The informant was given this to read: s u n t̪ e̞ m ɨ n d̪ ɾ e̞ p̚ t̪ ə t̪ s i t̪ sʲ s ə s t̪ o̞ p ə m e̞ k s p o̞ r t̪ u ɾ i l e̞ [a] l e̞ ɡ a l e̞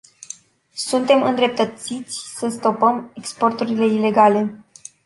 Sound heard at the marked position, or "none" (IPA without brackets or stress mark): i